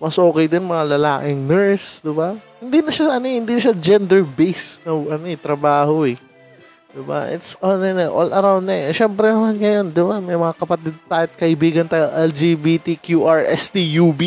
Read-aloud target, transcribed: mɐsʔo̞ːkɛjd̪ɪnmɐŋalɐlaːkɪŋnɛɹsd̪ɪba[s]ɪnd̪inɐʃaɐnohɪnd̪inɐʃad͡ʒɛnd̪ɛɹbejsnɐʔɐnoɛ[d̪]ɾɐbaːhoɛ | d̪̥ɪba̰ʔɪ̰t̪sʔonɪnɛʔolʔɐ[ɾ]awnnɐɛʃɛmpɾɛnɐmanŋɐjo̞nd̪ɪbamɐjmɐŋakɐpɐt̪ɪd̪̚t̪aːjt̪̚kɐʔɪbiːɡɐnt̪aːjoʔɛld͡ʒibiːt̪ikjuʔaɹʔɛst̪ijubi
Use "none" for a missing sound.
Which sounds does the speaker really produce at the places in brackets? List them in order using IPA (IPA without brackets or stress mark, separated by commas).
h, t̪, ɾ